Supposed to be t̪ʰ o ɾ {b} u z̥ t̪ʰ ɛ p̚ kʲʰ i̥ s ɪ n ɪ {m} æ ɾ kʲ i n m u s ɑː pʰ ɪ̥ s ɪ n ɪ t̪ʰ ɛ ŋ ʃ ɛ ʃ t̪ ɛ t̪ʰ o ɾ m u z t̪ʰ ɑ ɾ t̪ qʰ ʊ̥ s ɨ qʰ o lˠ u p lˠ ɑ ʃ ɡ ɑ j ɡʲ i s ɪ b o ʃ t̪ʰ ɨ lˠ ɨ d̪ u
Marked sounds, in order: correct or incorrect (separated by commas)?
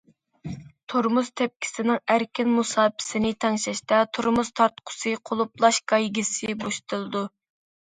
incorrect, incorrect